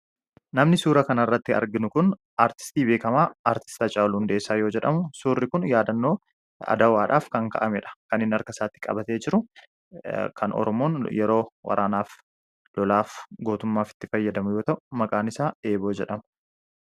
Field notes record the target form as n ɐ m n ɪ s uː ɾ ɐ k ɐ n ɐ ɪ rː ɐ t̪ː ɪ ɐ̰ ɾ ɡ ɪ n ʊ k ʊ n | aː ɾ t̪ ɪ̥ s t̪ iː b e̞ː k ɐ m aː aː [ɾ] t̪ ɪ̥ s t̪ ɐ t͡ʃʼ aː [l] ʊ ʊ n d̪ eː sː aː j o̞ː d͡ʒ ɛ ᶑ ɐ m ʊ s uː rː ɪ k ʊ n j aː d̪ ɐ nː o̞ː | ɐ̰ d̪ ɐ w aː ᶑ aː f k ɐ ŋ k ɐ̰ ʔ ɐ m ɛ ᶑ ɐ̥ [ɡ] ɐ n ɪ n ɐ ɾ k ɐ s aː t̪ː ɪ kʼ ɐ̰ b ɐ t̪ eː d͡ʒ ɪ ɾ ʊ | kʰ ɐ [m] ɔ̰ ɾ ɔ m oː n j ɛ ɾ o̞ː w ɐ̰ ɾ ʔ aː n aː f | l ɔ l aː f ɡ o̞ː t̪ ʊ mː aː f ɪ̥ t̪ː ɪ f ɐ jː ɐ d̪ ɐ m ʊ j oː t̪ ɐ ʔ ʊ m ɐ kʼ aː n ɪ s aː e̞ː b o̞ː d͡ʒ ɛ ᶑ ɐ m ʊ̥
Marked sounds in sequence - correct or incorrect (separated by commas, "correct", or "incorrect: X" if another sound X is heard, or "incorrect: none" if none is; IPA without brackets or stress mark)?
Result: correct, correct, incorrect: k, incorrect: n